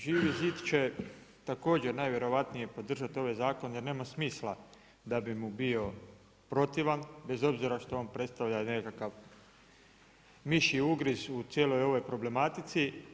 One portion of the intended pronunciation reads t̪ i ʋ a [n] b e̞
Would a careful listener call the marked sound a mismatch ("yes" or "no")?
no